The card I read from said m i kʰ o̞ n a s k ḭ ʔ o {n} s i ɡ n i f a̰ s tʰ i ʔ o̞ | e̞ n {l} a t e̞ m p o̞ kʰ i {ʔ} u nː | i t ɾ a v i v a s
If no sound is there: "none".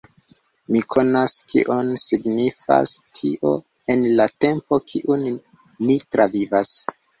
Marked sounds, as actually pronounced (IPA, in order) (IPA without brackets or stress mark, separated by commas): n, l, ʔ